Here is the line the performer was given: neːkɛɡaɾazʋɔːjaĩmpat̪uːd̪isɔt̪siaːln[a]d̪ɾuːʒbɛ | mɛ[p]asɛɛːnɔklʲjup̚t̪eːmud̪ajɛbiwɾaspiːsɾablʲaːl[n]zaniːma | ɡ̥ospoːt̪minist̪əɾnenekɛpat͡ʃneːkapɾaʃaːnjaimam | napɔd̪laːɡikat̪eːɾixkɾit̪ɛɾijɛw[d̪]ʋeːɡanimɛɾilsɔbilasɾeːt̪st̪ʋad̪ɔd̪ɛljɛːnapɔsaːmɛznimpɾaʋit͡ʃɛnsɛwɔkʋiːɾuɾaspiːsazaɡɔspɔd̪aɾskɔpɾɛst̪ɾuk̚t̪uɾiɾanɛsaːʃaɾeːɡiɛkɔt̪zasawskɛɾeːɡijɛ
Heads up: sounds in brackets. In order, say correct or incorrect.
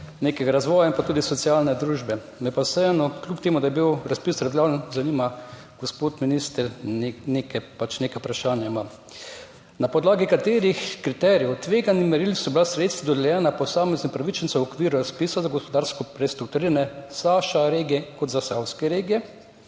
incorrect: ɛ, correct, correct, incorrect: t̪

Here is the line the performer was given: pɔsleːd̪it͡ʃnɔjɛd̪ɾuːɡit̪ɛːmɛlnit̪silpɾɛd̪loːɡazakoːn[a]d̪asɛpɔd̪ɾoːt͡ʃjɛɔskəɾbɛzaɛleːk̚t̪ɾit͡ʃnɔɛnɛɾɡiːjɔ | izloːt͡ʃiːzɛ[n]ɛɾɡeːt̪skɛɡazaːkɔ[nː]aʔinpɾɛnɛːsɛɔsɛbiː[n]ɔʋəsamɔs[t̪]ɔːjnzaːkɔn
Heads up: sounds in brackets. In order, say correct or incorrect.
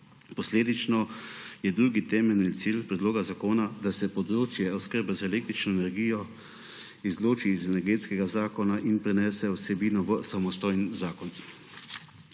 correct, correct, incorrect: n, correct, correct

